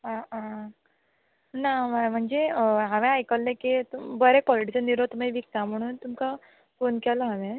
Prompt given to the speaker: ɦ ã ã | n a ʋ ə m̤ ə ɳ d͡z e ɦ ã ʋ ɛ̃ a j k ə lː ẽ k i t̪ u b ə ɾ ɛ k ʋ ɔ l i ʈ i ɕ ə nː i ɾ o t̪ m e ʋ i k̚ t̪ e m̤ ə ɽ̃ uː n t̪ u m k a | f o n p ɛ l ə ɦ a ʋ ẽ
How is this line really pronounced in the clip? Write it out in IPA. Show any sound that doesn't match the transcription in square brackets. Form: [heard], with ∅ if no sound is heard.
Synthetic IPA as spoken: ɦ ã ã | n a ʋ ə m̤ ə ɳ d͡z e ɦ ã ʋ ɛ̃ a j k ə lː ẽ k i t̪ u b ə ɾ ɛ k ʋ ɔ l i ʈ i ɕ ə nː i ɾ o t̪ m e ʋ i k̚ t̪ [a] m̤ ə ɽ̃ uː n t̪ u m k a | f o n [k] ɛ l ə ɦ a ʋ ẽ

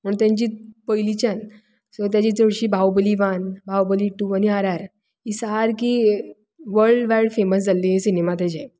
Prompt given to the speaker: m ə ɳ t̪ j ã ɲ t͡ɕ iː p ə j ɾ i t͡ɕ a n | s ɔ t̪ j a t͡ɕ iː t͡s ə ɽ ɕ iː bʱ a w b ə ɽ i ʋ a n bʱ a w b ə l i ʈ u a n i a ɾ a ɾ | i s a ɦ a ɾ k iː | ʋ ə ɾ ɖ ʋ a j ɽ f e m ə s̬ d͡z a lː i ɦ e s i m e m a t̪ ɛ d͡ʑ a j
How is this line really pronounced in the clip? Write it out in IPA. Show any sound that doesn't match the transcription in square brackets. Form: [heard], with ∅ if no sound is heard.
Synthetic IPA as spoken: m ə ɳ t̪ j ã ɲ t͡ɕ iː p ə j [l] i t͡ɕ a n | s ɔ t̪ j a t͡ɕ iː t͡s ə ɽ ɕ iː bʱ a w b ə [l] i ʋ a n bʱ a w b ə l i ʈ u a n i a ɾ a ɾ | i s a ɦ a ɾ k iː | ʋ ə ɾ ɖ ʋ a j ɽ f e m ə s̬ d͡z a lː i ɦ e s i [n] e m a t̪ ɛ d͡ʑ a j

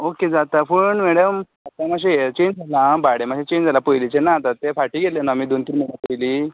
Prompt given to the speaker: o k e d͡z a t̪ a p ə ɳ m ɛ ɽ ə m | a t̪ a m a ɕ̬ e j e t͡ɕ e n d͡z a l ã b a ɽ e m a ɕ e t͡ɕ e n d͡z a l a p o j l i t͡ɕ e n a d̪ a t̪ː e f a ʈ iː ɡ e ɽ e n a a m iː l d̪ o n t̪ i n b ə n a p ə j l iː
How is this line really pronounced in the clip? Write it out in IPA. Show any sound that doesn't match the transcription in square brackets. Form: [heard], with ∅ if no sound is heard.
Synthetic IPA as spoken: o k e d͡z a t̪ a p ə ɳ m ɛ ɽ ə m | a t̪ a m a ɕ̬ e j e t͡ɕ e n d͡z a l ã b a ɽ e m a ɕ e t͡ɕ e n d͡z a l a p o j l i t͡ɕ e n a [t̪] a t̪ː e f a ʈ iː ɡ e [l] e n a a m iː [∅] d̪ o n t̪ i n [m] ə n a p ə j l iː

